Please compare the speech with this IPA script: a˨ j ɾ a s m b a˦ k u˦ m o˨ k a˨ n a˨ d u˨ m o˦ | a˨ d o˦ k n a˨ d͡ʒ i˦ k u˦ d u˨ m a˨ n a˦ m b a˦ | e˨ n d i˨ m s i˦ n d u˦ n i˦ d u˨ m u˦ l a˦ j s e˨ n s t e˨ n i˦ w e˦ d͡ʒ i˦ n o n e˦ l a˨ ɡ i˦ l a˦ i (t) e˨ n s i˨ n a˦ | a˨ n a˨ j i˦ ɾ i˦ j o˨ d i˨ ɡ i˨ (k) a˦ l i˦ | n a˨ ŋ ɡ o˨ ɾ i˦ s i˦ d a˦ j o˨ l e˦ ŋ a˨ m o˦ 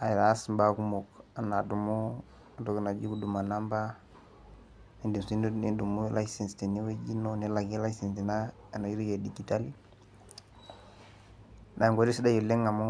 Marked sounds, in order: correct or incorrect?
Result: incorrect: s, incorrect: t

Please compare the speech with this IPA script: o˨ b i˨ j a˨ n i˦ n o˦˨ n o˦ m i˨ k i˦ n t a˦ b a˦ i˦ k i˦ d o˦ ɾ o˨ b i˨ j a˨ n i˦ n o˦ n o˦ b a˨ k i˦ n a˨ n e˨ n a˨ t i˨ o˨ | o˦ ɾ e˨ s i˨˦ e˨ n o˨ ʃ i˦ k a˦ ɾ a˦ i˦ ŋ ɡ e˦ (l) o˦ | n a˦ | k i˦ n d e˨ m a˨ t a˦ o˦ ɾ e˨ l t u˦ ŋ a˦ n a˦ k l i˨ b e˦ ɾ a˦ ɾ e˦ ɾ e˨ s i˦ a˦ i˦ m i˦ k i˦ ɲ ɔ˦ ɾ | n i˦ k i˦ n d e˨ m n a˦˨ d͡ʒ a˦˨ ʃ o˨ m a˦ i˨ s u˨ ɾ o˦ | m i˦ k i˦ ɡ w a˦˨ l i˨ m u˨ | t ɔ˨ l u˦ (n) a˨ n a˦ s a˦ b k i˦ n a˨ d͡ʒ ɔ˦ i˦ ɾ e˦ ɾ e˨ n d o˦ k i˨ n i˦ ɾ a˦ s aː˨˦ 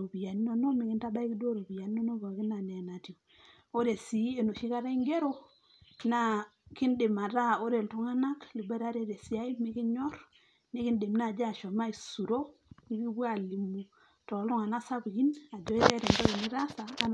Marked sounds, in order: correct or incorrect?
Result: incorrect: ɾ, incorrect: ŋ

